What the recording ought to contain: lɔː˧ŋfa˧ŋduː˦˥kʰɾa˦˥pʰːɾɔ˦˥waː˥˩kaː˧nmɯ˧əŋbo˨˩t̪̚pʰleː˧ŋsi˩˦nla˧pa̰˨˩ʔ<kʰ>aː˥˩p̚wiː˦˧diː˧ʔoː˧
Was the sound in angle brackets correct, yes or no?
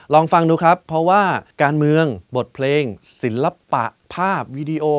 no